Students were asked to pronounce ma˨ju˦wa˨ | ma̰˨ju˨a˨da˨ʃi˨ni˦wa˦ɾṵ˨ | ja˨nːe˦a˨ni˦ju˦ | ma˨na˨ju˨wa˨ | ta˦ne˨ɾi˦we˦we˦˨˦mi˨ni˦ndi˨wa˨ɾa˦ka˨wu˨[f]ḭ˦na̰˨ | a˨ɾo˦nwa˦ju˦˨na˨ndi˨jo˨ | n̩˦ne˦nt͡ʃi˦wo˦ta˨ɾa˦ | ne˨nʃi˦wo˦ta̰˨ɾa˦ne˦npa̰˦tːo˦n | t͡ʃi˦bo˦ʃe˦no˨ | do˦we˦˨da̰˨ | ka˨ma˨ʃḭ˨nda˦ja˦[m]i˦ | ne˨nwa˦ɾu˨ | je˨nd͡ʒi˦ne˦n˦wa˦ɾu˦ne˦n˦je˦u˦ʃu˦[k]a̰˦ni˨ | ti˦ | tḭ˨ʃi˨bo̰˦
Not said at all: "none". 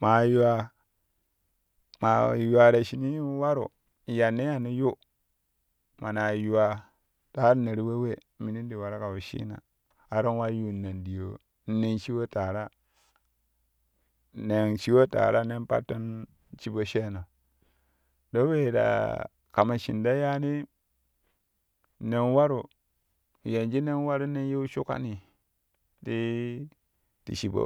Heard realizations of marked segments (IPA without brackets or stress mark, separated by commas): ʃ, n, k